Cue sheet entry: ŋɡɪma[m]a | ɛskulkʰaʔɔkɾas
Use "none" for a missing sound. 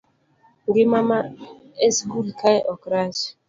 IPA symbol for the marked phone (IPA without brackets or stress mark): m